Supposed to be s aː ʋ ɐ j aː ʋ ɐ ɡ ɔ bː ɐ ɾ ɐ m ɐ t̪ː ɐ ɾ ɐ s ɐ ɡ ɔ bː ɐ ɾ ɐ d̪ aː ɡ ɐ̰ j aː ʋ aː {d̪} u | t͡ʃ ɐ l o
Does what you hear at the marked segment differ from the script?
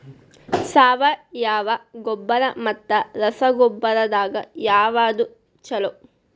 no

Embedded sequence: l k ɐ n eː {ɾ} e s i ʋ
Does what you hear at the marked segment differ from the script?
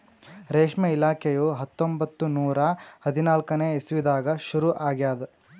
yes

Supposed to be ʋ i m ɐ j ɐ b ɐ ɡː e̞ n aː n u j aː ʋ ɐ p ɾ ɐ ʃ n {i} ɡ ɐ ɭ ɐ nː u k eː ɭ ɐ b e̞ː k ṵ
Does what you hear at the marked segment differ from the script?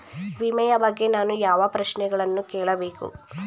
yes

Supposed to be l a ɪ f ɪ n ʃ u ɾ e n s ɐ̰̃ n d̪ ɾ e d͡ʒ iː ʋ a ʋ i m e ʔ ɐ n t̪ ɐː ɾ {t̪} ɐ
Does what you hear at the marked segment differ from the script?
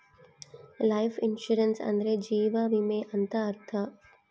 yes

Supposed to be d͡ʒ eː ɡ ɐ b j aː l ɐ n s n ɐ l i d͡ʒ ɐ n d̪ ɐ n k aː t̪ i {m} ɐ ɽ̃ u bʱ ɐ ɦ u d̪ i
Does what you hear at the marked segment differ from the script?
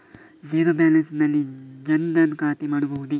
no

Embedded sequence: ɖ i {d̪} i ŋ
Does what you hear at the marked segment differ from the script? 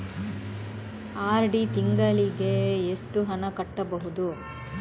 yes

